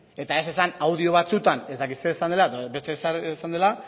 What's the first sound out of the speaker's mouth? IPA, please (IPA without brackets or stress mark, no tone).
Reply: e̞